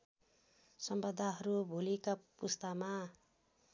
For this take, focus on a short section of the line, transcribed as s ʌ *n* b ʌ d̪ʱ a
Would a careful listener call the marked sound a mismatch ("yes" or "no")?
yes